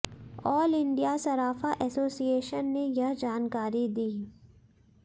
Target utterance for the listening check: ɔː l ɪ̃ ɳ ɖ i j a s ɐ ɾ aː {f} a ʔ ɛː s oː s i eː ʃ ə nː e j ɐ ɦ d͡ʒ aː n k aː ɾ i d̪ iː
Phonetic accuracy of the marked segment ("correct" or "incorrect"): correct